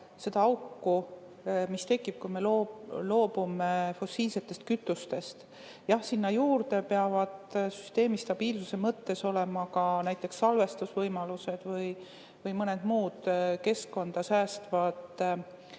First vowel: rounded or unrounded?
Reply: unrounded